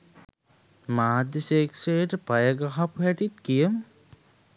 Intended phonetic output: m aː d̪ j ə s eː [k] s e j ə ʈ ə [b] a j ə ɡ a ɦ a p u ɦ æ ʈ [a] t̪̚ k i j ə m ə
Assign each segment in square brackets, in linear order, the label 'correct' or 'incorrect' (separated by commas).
correct, incorrect, incorrect